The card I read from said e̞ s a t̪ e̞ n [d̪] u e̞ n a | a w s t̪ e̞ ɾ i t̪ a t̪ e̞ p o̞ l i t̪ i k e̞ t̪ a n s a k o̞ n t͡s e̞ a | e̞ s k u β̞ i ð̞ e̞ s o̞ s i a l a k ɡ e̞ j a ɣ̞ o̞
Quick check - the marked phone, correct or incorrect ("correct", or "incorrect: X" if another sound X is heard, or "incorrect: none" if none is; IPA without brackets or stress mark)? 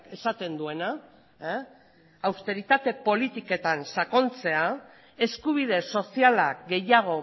correct